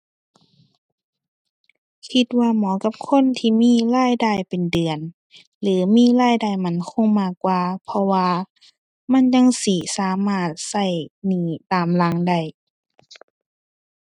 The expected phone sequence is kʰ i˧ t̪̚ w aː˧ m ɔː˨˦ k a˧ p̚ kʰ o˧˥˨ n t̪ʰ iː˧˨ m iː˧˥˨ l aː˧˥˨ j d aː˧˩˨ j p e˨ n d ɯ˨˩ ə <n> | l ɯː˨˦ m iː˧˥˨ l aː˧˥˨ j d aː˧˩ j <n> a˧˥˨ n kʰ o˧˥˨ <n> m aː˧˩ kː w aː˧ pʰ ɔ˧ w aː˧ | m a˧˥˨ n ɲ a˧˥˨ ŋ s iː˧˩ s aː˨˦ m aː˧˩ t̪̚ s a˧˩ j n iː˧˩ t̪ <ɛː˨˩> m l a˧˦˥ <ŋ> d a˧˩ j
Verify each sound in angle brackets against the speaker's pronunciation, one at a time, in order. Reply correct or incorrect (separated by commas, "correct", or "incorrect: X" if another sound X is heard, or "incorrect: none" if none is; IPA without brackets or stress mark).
correct, incorrect: m, incorrect: ŋ, incorrect: aː˨˩, correct